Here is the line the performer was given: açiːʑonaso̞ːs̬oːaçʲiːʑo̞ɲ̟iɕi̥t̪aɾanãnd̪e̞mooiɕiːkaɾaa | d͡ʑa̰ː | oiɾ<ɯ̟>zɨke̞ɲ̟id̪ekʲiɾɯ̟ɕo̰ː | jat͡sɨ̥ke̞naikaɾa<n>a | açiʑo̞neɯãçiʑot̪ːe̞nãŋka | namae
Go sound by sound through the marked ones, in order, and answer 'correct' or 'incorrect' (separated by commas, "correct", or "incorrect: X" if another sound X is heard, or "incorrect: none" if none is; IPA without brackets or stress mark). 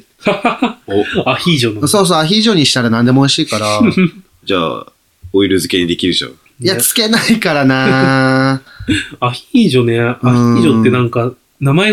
correct, correct